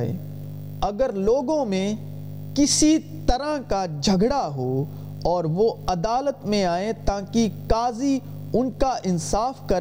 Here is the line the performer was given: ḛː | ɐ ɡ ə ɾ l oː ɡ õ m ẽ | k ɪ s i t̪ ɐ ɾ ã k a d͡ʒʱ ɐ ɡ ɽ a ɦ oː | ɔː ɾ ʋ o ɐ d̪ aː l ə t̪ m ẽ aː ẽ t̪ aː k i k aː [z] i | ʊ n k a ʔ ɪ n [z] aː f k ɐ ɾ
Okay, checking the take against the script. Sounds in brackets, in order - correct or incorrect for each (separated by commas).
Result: correct, incorrect